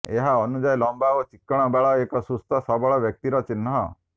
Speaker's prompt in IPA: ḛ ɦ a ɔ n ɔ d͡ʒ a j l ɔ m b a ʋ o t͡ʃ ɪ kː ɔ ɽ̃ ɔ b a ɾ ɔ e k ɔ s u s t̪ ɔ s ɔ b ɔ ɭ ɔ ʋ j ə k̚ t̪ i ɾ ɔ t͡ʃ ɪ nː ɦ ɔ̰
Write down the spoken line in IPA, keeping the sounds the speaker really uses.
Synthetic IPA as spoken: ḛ ɦ a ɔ n u d͡ʒ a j l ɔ m b a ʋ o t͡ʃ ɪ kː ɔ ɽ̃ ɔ b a ɭ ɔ e k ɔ s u s t̪ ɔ s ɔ b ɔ ɭ ɔ ʋ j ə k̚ t̪ i ɾ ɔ t͡ʃ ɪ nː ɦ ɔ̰